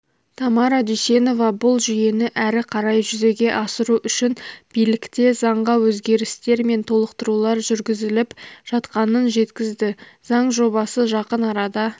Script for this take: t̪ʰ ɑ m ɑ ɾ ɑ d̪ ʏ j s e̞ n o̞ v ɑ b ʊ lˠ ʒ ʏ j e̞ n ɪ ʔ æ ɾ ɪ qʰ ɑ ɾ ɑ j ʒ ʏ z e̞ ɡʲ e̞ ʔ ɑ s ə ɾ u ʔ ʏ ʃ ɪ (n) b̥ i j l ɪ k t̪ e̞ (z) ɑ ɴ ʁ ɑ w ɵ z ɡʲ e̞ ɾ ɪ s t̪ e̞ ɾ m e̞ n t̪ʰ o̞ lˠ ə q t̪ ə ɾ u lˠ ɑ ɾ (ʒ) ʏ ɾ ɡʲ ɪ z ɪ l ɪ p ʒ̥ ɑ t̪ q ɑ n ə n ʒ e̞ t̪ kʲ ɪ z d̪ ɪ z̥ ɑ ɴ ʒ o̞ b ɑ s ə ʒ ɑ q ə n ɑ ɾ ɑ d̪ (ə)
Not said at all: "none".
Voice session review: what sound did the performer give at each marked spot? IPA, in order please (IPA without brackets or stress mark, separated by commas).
n, z, ʒ, ɑ